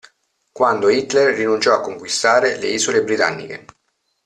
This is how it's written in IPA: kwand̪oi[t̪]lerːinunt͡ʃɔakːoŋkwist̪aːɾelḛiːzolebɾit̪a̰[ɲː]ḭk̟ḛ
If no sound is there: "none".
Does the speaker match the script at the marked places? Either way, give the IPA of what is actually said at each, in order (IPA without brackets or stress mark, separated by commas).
t̪, nː